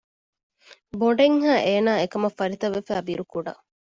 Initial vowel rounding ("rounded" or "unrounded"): rounded